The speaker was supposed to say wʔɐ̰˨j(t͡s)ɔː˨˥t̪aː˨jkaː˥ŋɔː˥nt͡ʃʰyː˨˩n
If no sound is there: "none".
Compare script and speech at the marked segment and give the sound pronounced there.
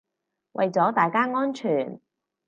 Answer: t͡s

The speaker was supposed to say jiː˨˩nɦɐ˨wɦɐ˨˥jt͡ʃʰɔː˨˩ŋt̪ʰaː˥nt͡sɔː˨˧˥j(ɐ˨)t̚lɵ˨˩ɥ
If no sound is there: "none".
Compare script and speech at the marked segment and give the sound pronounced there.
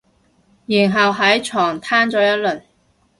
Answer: ɐ˥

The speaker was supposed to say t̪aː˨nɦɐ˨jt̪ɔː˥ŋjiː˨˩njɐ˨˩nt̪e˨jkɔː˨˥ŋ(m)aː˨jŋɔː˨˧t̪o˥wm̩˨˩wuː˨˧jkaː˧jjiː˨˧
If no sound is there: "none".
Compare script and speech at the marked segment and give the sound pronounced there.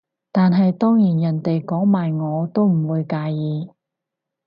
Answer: m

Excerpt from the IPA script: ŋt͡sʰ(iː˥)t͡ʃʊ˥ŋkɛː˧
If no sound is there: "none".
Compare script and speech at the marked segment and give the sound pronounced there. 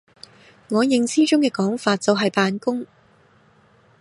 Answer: iː˥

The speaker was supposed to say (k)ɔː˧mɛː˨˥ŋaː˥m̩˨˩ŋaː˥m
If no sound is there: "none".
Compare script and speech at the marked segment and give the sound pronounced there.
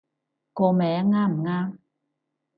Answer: k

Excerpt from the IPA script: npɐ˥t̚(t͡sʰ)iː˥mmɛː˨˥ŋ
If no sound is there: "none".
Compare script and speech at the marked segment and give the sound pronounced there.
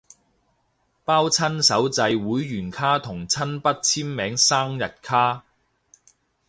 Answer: t͡sʰ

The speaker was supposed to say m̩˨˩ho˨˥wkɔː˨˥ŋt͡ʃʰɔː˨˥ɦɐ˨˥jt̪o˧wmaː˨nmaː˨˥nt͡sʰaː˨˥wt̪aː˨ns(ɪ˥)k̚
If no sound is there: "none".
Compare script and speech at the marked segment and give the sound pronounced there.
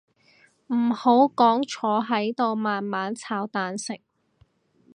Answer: ɪ˨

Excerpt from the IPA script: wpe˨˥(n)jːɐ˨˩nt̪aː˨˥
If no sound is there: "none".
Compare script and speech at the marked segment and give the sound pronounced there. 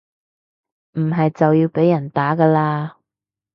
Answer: none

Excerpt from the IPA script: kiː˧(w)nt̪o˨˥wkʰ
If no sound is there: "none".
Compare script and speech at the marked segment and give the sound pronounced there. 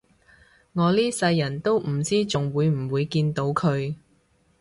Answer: none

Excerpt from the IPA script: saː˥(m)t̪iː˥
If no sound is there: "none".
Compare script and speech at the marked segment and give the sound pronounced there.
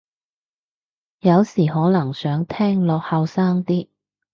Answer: ŋ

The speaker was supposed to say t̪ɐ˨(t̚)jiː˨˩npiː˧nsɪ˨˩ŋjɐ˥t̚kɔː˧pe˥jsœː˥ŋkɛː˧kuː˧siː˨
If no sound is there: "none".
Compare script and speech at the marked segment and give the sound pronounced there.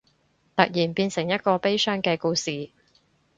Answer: k̚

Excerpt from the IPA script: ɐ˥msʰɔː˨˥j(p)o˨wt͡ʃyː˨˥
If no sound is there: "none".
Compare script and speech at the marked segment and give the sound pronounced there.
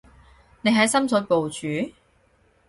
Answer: p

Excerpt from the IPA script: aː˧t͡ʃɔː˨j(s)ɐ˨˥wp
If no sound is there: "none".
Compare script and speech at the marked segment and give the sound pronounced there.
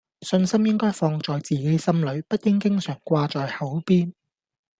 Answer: h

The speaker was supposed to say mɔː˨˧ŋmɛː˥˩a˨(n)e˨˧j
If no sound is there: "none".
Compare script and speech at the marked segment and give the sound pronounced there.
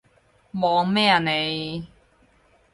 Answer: n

